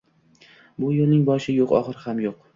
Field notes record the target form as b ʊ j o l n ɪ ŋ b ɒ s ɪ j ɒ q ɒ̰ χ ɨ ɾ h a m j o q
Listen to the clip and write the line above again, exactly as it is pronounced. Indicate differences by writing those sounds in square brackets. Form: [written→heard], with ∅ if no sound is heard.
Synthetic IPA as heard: b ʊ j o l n ɪ ŋ b ɒ [s→ʃ] ɪ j [ɒ→o] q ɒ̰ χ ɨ ɾ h a m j o q